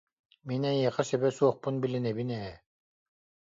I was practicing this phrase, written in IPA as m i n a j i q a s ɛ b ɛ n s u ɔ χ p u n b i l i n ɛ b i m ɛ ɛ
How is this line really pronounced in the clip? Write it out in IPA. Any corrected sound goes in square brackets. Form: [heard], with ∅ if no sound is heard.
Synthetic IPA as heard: m i n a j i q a s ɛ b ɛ [∅] s u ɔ χ p u n b i l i n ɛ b i [n] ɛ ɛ